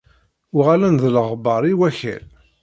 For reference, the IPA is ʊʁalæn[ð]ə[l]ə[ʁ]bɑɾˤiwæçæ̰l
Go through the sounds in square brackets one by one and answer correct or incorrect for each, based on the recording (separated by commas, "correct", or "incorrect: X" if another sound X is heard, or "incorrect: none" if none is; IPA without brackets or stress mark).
correct, correct, correct